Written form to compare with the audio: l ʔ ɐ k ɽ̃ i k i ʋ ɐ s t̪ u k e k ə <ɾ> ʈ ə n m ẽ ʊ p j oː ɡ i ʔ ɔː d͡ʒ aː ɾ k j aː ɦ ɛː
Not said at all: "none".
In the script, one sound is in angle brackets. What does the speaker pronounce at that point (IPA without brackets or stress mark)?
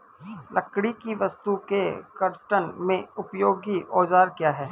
ɾ